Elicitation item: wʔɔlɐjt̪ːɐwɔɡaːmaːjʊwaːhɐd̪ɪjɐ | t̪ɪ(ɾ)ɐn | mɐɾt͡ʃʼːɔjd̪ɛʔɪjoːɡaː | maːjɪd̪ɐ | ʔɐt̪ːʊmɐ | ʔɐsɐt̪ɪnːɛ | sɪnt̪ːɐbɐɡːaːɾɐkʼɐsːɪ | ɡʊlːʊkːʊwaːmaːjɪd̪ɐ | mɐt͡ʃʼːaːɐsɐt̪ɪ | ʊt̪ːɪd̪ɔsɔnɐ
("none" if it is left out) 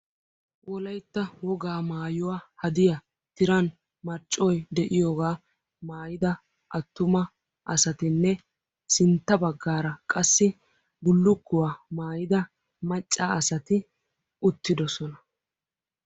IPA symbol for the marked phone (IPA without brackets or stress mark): ɾ